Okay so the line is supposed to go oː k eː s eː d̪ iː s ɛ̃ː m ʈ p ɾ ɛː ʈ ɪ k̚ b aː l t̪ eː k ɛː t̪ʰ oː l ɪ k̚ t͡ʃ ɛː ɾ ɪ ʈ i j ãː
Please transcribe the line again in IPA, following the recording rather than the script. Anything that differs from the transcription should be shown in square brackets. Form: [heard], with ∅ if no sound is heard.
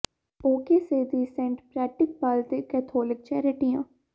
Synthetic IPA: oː k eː s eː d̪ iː s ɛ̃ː [ɳ] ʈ p ɾ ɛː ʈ ɪ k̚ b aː l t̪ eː k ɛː t̪ʰ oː l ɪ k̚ t͡ʃ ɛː ɾ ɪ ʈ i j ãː